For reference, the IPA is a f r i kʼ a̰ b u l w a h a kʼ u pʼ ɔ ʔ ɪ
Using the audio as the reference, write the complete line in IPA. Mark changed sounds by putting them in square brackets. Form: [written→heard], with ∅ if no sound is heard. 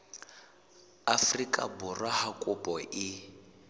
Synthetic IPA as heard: a f r i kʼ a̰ b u [l→r] w a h a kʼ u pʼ ɔ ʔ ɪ

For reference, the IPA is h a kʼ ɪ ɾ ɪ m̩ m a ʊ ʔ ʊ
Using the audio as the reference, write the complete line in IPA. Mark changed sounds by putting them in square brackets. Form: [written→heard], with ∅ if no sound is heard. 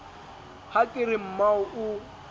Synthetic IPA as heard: h a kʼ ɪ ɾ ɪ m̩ m a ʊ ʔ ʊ

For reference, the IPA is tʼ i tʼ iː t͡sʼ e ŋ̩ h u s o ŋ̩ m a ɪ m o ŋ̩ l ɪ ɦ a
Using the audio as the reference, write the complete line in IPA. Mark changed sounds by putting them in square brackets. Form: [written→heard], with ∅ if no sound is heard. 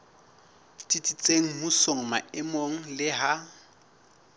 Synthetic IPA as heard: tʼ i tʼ [iː→i] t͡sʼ e ŋ̩ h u s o ŋ̩ m a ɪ m o ŋ̩ l ɪ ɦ a

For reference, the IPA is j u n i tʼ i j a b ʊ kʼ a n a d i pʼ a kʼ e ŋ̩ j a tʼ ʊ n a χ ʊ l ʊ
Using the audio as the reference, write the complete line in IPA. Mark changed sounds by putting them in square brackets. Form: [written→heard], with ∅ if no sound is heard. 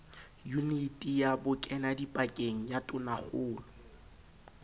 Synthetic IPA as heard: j u n i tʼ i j a b ʊ kʼ [a→ɛ] n a d i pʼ a kʼ e ŋ̩ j a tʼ ʊ n a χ [ʊ→ʊː] l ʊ

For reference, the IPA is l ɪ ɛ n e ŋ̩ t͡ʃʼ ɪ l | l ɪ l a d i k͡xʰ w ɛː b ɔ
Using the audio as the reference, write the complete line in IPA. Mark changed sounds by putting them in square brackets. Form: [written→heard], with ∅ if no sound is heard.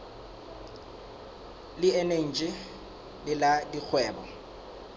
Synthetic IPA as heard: l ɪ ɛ n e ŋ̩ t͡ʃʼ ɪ [l→∅] | l ɪ l a d i k͡xʰ w ɛː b ɔ

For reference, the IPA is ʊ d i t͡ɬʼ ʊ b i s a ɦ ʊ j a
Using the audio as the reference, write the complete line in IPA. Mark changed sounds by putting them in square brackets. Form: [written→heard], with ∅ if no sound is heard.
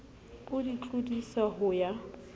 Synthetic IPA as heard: ʊ d i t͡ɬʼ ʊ [b→d] i s a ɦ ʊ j a

